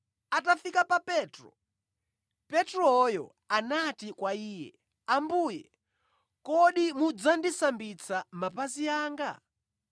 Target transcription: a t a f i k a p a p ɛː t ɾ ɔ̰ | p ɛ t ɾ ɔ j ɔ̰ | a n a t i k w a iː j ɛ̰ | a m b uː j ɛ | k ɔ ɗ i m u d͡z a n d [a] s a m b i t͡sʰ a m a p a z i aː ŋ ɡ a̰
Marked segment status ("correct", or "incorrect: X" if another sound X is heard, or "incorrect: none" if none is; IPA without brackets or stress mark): incorrect: i